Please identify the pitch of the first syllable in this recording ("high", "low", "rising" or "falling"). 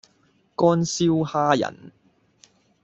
high